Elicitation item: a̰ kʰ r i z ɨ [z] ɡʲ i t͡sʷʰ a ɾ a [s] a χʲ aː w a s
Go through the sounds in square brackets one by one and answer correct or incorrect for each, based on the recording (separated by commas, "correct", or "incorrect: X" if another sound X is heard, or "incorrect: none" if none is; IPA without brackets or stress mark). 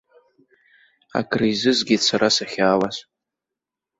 correct, correct